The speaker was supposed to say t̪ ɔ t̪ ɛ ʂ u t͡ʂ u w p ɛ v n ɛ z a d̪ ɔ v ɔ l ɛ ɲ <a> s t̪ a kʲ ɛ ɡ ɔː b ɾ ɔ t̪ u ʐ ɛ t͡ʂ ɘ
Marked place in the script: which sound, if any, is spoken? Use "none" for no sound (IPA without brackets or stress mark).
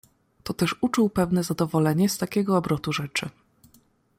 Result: ɛ